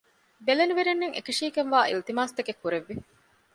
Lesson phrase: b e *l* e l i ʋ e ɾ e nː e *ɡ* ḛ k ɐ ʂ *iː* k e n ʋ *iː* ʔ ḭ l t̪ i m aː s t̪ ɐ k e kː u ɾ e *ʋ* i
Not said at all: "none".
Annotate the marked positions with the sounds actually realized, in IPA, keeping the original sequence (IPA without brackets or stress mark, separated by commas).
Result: l, ŋ, iː, aː, ʋː